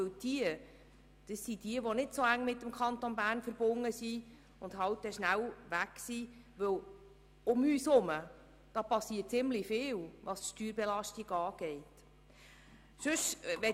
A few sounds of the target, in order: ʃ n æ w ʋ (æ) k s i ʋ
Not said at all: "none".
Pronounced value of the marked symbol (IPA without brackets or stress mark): æ